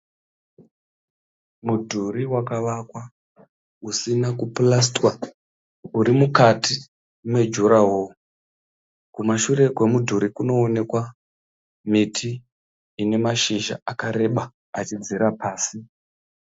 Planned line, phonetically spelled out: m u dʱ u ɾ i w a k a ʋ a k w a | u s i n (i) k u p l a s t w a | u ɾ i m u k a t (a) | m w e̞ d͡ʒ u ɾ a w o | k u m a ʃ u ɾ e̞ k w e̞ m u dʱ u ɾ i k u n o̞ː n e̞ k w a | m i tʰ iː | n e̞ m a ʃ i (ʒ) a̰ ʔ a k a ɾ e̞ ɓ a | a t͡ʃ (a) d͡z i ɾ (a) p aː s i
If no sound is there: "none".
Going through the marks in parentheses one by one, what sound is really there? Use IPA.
a, i, ʒ, i, a

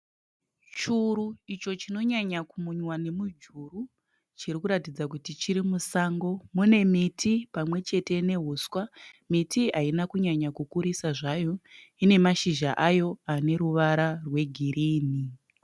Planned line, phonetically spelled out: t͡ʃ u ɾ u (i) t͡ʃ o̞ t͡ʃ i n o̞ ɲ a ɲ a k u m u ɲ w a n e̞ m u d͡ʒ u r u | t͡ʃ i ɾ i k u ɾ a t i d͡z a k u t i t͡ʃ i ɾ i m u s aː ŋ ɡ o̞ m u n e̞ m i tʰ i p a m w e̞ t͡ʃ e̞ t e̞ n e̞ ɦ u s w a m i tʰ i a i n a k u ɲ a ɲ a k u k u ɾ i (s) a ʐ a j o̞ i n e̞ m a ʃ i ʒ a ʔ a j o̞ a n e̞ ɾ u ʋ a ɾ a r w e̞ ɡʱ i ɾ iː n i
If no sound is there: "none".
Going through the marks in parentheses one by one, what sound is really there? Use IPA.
i, s

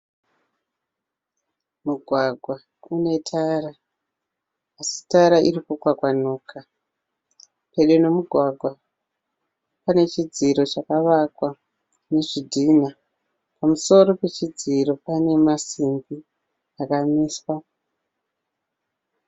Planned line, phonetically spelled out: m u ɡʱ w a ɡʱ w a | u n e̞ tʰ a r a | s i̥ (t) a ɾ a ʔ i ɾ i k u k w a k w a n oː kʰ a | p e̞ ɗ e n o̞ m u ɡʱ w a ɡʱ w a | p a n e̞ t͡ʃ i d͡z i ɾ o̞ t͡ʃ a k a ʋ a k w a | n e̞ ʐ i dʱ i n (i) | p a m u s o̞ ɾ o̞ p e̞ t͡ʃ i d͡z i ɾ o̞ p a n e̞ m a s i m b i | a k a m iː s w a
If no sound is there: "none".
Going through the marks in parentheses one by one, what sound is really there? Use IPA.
t, a

